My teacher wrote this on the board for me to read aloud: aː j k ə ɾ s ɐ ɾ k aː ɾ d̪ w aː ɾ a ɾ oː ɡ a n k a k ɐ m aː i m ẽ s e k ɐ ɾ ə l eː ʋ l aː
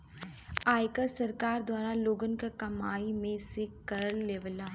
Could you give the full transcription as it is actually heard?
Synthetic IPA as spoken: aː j k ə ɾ s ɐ ɾ k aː ɾ d̪ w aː ɾ a l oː ɡ ə n k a k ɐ m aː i m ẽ s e k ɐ ɾ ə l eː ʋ l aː